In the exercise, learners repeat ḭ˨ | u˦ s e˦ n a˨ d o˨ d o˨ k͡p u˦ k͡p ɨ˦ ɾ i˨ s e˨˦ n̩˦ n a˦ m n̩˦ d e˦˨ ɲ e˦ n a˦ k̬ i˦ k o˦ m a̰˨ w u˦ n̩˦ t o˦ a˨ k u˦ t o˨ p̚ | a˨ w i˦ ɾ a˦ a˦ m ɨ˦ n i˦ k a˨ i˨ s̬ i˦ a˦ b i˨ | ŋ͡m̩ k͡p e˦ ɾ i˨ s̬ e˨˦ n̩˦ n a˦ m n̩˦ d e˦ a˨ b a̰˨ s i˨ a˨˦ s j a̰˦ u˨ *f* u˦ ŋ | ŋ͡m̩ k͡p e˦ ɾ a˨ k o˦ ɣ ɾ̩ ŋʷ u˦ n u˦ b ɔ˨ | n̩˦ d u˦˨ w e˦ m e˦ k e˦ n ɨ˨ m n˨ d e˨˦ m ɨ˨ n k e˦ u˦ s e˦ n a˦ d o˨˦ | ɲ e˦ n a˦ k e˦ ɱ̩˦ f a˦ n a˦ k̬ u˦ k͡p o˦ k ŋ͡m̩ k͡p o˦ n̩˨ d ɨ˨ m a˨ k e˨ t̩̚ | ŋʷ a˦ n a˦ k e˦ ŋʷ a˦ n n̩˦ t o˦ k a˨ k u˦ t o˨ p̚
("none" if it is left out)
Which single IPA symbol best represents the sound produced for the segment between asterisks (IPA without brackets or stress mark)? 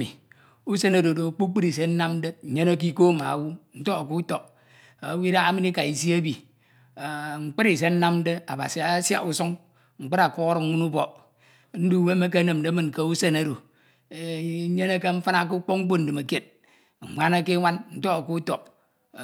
s